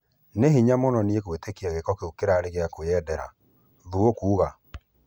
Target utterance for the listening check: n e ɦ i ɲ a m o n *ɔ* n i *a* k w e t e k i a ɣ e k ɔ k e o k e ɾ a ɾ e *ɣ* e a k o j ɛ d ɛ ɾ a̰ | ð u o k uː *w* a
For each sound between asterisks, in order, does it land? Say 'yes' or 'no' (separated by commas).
yes, no, yes, no